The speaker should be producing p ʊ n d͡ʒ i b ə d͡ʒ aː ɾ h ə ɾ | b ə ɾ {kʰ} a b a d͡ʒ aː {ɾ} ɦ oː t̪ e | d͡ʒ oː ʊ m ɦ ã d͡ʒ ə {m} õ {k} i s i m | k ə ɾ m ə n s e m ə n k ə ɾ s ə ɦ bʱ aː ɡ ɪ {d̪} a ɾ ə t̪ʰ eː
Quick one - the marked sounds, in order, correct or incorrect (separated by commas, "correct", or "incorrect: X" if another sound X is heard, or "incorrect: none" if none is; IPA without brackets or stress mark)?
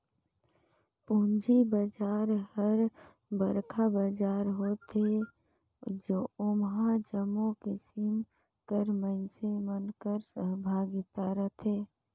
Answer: correct, correct, correct, correct, incorrect: t̪